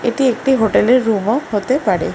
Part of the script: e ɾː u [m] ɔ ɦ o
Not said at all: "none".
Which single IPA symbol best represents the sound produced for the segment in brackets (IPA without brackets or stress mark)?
m